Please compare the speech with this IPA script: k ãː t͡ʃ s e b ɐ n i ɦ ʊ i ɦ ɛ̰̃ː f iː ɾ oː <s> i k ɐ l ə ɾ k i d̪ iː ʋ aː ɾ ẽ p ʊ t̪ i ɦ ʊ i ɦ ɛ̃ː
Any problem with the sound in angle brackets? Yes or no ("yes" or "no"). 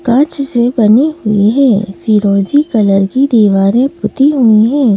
yes